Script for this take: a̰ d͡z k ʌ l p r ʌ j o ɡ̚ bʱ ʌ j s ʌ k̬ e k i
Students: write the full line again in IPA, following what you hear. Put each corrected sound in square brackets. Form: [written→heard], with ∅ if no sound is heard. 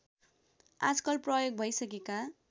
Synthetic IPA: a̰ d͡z k ʌ l p r ʌ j o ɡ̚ bʱ ʌ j s ʌ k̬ e k [i→a]